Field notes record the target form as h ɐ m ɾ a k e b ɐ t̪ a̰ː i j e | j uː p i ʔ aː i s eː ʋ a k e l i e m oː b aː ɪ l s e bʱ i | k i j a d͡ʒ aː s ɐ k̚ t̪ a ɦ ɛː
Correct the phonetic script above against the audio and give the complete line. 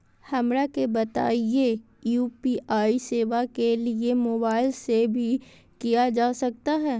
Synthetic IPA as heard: h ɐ m ɾ a k e b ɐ t̪ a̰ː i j e | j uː p i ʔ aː i s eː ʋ a k e l i e m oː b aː ɪ l s e bʱ i | k i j a d͡ʒ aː s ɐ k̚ t̪ a ɦ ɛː